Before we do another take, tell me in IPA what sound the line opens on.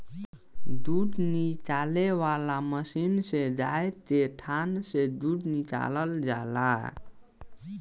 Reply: d̪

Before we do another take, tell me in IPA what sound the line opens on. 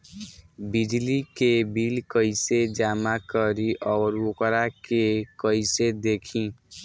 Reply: b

